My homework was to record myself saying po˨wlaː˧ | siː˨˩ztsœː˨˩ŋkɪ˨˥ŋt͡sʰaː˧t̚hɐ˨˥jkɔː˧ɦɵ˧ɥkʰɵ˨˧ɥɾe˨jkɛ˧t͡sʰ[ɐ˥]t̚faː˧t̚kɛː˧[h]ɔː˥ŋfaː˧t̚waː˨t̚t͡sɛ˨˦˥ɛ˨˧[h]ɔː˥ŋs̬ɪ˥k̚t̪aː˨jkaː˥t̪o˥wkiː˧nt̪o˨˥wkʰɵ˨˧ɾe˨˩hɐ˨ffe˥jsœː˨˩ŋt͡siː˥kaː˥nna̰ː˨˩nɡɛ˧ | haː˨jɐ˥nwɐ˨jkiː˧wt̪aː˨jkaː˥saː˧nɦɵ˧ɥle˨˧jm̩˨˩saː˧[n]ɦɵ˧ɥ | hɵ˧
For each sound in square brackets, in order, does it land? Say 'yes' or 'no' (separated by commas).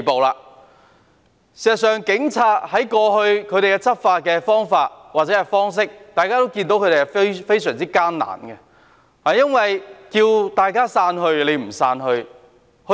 yes, no, no, yes